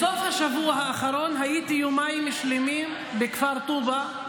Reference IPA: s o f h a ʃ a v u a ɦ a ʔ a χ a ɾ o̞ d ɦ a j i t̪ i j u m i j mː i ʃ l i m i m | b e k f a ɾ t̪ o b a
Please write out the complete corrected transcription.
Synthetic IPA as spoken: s o f h a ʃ a v u a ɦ a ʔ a χ a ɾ o̞ n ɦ a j i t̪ i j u m a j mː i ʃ l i m i m | b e k f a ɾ t̪ u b a